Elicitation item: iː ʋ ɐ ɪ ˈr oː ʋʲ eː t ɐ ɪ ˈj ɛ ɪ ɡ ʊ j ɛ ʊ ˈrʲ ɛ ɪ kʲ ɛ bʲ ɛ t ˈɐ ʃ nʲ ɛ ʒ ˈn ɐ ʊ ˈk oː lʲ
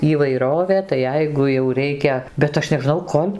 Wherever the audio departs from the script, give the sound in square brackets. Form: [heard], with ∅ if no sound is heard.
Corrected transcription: iː ʋ ɐ ɪ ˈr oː ʋʲ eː t ɐ ɪ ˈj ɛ ɪ ɡ ʊ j ɛ ʊ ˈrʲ ɛ ɪ kʲ ɛ bʲ ɛ t ˈɐ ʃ nʲ ɛ ʒ ˈn ɐ ʊ ˈk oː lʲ